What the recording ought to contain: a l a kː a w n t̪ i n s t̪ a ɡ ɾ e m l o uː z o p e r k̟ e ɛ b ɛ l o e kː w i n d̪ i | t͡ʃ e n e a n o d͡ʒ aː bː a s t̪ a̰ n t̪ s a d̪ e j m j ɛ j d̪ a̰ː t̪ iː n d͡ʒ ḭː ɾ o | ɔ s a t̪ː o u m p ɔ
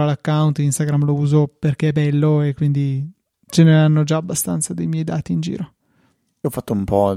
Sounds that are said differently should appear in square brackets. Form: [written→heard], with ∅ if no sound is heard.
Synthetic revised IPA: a l a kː a w n t̪ i n s t̪ a ɡ ɾ [e→a] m l o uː z o p e r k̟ e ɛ b ɛ [l→lː] o e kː w i n d̪ i | t͡ʃ e n e a [n→nː] o d͡ʒ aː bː a s t̪ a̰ n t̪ s a d̪ e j m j ɛ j d̪ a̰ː t̪ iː n d͡ʒ ḭː ɾ o | ɔ [s→f] a t̪ː o u m p ɔ